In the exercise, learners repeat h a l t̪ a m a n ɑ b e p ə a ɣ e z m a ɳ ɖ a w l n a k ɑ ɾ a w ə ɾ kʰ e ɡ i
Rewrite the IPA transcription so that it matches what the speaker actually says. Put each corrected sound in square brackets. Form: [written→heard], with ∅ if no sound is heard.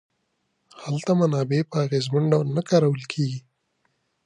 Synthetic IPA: h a l t̪ a m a n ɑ b e p ə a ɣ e z m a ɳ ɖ a w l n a k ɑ ɾ a w ə [ɾ→l] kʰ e ɡ i